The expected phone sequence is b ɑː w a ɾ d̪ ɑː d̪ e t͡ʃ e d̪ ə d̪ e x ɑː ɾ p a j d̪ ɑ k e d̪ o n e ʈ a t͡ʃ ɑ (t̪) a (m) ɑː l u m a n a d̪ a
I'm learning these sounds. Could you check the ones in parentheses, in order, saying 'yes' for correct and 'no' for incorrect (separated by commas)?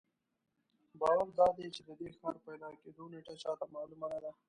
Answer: yes, yes